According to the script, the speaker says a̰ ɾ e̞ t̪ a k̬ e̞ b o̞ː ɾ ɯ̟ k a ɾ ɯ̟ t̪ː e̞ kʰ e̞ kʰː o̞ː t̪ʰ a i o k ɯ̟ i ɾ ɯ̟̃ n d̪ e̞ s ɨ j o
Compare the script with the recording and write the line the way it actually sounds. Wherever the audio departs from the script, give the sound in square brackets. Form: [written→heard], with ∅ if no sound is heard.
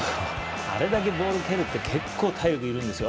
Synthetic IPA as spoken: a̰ ɾ e̞ [t̪→d̪] a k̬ e̞ b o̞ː ɾ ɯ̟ k [a→e] ɾ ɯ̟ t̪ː e̞ kʰ e̞ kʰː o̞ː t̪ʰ a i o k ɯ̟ i ɾ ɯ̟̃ n d̪ e̞ s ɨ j o

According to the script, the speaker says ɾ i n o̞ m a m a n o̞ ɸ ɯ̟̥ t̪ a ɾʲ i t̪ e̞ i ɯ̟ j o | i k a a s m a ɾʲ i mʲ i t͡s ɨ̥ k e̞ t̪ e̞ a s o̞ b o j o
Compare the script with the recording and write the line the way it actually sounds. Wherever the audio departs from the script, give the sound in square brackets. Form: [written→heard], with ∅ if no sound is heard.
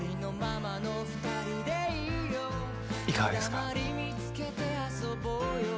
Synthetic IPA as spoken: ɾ i n o̞ m a m a n o̞ ɸ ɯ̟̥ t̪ a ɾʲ i [t̪→d̪] e̞ i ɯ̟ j o | i k a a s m a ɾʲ i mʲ i t͡s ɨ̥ k e̞ t̪ e̞ a s o̞ b o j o

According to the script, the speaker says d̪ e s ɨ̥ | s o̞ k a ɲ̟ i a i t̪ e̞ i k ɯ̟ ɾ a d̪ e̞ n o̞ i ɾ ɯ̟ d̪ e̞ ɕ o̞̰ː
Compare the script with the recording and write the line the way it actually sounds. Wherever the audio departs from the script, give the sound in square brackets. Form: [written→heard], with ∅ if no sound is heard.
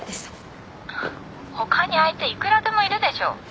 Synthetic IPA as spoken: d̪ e s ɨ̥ | [s→h] o̞ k a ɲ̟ i a i t̪ e̞ i k ɯ̟ ɾ a d̪ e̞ [n→m] o̞ i ɾ ɯ̟ d̪ e̞ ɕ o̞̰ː

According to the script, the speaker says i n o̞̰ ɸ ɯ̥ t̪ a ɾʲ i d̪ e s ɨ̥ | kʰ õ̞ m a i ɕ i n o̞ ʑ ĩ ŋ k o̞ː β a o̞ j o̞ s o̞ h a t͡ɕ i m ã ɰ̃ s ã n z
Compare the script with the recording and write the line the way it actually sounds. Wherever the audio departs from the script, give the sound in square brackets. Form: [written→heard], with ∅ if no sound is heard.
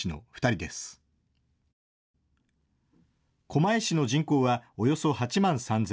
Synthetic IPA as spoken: i n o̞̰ ɸ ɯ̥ t̪ a ɾʲ i d̪ e s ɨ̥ | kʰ [õ̞→o̞] m a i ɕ i n o̞ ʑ ĩ ŋ k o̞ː β a o̞ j o̞ s o̞ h a t͡ɕ i m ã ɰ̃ s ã n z

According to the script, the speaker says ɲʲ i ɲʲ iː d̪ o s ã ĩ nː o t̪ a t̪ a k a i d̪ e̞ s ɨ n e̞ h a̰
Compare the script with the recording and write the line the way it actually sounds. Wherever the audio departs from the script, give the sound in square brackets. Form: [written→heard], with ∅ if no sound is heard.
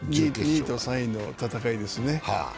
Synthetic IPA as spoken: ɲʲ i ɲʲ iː [d̪→t̪] o s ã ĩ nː o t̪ a t̪ a k a i d̪ e̞ s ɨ n e̞ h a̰

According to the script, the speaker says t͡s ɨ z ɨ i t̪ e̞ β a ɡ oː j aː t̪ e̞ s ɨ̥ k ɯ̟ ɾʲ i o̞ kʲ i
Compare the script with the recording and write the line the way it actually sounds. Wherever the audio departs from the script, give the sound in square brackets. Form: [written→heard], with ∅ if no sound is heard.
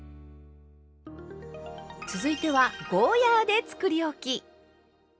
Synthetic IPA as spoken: t͡s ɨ z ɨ i t̪ e̞ β a ɡ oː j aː [t̪→d̪] e̞ [s→t͡s] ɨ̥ k ɯ̟ ɾʲ i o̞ kʲ i

